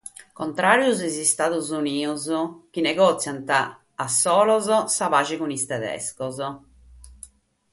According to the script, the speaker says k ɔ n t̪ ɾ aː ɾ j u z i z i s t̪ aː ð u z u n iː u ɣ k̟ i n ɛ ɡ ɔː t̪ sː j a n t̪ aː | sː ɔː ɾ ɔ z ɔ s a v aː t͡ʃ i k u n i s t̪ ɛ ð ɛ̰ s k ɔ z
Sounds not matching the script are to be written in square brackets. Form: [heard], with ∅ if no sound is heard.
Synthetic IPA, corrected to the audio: k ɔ n t̪ ɾ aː ɾ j u z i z i s t̪ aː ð u z u n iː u [z] k̟ i n ɛ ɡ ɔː t̪ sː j a n t̪ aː | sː ɔː [l] ɔ z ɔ s a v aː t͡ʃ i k u n i s t̪ ɛ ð ɛ̰ s k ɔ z